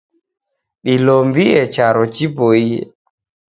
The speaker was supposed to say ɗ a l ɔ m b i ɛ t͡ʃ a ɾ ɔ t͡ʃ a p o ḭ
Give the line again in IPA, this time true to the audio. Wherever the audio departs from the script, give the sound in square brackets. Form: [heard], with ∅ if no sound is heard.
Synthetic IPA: ɗ [i] l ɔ m b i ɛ t͡ʃ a ɾ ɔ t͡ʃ [i] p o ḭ